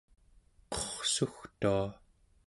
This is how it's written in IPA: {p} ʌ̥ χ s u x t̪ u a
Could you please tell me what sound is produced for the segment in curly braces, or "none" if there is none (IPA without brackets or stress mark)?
q